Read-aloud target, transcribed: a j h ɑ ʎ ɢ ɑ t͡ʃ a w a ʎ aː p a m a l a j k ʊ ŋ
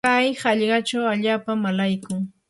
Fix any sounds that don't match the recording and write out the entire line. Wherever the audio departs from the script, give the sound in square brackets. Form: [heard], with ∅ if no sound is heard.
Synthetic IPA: a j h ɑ ʎ ɢ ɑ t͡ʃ a w a ʎ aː p a m a l a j k ʊ ŋ

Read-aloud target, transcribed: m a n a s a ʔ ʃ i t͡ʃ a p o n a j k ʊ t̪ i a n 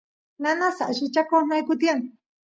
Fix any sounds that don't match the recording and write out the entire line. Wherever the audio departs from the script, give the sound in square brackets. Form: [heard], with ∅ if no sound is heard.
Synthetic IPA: [n] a n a s a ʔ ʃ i t͡ʃ a [k] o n a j k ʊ t̪ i a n

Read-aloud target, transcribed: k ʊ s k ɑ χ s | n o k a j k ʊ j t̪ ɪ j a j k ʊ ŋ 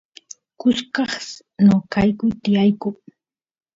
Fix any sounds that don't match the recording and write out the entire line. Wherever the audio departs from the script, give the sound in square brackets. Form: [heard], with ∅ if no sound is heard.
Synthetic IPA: k ʊ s k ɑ χ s | n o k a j k ʊ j t̪ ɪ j a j k ʊ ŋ

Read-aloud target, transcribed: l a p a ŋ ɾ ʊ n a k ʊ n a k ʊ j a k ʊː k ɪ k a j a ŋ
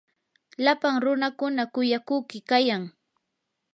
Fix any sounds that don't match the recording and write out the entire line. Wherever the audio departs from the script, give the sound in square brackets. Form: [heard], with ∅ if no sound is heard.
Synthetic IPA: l a p a ŋ ɾ ʊ n a k ʊ n a k ʊ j a k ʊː k ɪ k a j a ŋ

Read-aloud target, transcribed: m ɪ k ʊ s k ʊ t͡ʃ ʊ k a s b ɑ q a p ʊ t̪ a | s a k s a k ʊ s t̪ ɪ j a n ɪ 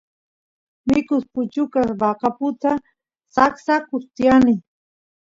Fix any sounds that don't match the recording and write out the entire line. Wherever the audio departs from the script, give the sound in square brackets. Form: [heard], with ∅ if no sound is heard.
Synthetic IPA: m ɪ k ʊ s [p] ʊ t͡ʃ ʊ k a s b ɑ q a p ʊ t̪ a | s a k s a k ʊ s t̪ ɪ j a n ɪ

